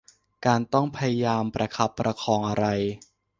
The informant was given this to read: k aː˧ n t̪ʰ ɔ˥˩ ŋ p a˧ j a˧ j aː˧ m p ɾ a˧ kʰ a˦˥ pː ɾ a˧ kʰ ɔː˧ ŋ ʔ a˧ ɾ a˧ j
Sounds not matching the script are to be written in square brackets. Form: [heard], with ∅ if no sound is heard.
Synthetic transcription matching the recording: k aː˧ n [t̪] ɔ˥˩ ŋ [pʰ] a˧ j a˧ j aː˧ m p ɾ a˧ kʰ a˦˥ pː ɾ a˧ kʰ ɔː˧ ŋ ʔ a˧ ɾ a˧ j